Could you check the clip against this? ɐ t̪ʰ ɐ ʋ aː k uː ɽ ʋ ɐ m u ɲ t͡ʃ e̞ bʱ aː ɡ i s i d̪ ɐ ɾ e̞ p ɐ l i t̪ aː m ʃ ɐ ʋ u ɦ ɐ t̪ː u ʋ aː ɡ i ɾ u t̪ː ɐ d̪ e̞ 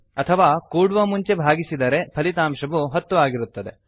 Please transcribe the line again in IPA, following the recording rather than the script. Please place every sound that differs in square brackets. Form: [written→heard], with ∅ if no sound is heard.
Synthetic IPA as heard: ɐ t̪ʰ ɐ ʋ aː k uː ɽ ʋ ɐ m u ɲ t͡ʃ e̞ bʱ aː ɡ i s i d̪ ɐ ɾ e̞ [p→pʰ] ɐ l i t̪ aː m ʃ ɐ ʋ u ɦ ɐ t̪ː u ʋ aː ɡ i ɾ u t̪ː ɐ d̪ e̞